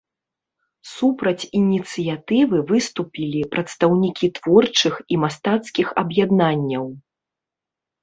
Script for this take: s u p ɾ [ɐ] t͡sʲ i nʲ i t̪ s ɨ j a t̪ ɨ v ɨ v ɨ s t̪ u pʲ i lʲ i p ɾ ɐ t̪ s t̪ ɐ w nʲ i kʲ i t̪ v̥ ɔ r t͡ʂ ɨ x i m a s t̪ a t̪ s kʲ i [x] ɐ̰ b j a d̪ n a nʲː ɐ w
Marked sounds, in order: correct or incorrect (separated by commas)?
correct, correct